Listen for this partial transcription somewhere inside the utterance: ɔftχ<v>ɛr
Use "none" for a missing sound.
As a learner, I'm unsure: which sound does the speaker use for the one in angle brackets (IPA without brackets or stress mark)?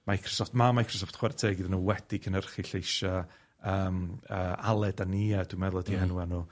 w